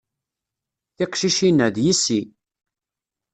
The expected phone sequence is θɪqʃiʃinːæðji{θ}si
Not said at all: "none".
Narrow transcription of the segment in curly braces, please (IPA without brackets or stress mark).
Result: none